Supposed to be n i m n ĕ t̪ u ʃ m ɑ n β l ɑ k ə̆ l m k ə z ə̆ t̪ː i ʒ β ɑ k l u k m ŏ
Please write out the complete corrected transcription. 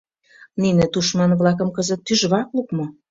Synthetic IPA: n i n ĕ t̪ u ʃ m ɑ n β l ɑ k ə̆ m k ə z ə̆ t̪ː y ʒ β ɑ k l u k m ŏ